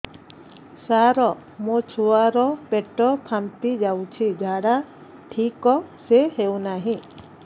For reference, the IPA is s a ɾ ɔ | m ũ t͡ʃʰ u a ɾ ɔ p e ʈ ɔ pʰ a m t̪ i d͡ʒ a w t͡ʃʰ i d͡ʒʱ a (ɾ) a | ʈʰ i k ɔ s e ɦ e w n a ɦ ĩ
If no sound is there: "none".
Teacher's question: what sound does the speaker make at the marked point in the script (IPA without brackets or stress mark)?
ɽ